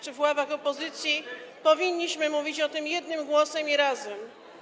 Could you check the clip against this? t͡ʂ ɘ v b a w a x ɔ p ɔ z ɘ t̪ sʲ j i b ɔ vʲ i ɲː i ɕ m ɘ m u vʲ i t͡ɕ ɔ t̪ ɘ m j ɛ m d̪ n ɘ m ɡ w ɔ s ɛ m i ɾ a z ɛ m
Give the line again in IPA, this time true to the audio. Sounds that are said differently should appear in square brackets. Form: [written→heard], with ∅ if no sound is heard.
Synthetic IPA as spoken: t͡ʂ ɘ v [b→w] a [w→v] a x ɔ p ɔ z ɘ t̪ sʲ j i [b→p] ɔ vʲ i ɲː i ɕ m ɘ m u vʲ i t͡ɕ ɔ t̪ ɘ m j ɛ [m→∅] d̪ n ɘ m ɡ w ɔ s ɛ m i ɾ a z ɛ m